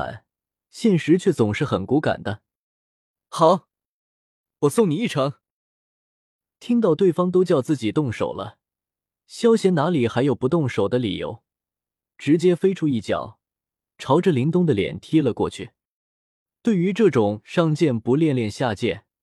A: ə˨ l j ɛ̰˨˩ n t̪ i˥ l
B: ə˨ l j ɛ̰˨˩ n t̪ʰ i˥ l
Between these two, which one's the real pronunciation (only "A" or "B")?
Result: B